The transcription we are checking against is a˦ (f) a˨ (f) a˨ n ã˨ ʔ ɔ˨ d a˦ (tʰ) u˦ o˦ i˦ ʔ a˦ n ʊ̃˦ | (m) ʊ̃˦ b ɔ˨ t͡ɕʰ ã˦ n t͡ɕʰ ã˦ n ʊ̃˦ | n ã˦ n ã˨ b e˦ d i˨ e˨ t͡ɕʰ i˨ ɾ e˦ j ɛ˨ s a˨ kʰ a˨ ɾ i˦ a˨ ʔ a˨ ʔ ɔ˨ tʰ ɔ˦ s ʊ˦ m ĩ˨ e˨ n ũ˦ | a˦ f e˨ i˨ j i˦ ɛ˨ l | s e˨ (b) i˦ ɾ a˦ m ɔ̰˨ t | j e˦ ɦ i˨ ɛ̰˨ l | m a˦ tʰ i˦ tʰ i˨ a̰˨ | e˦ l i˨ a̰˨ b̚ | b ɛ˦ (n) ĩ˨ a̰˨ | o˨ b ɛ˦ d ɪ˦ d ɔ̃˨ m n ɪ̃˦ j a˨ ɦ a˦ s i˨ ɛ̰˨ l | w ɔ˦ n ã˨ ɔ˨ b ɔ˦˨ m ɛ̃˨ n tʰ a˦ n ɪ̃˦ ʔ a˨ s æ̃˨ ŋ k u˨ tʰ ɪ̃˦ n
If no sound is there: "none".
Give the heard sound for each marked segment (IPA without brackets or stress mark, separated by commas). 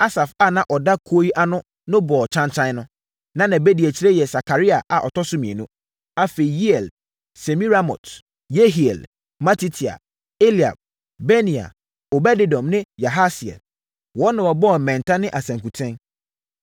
s, f, kʰ, n, m, n